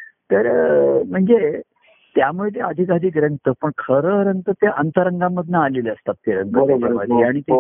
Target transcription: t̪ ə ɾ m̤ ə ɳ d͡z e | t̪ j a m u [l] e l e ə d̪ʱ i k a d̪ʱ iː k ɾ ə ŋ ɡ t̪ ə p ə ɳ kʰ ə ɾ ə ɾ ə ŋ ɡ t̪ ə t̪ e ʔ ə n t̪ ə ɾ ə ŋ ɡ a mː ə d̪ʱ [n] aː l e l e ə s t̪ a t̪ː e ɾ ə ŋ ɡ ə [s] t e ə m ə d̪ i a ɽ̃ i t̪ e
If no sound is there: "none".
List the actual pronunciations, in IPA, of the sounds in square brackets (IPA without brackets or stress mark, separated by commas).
ɭ, n, none